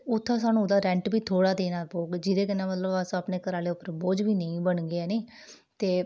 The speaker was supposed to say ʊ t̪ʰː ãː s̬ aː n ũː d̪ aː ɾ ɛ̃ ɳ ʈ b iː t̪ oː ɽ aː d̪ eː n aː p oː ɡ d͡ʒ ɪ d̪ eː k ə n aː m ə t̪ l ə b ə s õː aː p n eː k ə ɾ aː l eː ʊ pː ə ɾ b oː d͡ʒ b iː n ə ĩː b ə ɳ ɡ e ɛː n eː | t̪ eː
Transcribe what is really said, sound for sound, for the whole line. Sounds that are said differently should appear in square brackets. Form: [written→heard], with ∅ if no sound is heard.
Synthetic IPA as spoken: ʊ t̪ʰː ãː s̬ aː n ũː d̪ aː ɾ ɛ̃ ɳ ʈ b iː [t̪→t̪ʰ] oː ɽ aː d̪ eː n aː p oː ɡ d͡ʒ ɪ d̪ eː k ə n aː m ə t̪ l ə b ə s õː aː p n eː k ə ɾ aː l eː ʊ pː ə ɾ b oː d͡ʒ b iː n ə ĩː b ə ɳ ɡ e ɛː n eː | t̪ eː